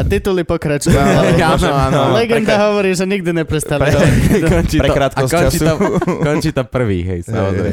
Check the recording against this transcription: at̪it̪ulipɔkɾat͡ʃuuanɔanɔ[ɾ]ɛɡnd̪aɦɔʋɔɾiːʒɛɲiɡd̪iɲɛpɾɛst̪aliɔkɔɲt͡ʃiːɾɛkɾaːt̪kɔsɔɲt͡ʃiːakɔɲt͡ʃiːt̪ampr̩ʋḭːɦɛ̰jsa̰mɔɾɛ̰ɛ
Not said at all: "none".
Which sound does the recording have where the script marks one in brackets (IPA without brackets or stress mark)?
l